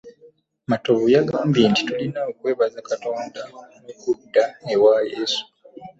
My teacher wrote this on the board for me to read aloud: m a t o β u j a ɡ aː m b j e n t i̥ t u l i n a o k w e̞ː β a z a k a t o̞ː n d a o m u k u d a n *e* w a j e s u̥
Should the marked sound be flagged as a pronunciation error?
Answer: no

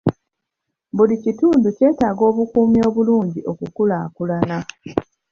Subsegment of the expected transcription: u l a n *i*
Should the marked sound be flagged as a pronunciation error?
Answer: yes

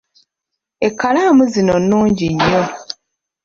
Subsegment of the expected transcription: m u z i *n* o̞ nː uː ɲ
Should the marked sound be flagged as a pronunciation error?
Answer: no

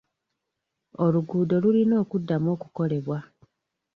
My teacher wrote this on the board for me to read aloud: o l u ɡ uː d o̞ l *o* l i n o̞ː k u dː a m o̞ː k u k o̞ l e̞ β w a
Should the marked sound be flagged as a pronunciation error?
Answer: yes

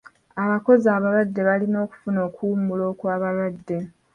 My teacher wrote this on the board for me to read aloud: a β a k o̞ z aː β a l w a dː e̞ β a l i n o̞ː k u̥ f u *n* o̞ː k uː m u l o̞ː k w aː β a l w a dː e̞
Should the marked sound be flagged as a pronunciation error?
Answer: no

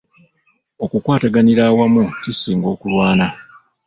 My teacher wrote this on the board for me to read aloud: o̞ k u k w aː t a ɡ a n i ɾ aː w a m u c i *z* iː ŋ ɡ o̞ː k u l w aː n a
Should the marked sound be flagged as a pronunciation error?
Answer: yes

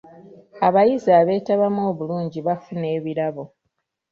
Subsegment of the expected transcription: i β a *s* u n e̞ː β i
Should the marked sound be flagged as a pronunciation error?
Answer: yes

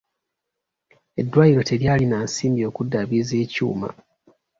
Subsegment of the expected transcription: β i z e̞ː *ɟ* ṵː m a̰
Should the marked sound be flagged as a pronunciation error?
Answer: yes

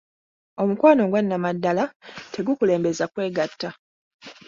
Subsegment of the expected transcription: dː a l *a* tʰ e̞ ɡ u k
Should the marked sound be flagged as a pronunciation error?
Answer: no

